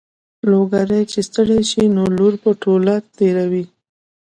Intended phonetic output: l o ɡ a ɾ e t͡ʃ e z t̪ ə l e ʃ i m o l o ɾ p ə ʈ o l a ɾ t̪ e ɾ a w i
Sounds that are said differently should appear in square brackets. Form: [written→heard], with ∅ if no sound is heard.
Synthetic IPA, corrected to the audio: l o ɡ a ɾ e t͡ʃ e [z→s] t̪ ə [l→ɽ] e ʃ i [m→n] o l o ɾ p ə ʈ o l a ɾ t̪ e ɾ a w i